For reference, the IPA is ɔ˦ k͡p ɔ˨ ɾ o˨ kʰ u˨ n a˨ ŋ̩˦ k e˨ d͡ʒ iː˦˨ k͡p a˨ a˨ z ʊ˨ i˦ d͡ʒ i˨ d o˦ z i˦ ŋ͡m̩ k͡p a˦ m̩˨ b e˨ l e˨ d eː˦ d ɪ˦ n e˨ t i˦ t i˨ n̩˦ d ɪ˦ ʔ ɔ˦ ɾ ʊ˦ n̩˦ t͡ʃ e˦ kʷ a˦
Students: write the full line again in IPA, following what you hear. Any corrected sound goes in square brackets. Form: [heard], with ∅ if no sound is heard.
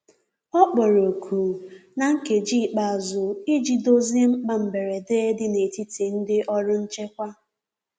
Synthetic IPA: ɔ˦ k͡p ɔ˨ ɾ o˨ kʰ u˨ n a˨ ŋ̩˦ k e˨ d͡ʒ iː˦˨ k͡p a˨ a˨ z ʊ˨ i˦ d͡ʒ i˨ d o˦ z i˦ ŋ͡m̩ k͡p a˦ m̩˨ b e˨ [ɾ] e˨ d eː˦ d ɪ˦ n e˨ t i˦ t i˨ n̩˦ d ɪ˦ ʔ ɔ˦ ɾ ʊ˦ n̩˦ t͡ʃ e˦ kʷ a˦